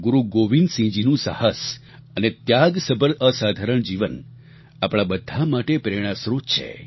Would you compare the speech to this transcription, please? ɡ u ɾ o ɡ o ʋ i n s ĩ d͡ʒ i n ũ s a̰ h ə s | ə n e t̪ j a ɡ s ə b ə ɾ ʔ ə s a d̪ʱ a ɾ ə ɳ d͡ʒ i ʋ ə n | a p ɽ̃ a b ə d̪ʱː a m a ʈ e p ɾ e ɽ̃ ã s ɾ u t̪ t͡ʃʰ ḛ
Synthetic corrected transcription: ɡ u ɾ u ɡ o ʋ i n s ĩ d͡ʒ i n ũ s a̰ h ə s | ə n e t̪ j a ɡ s ə b ə ɾ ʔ ə s a d̪ʱ a ɾ ə ɳ d͡ʒ i ʋ ə n | a p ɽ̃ a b ə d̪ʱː a m a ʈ e p ɾ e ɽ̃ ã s ɾ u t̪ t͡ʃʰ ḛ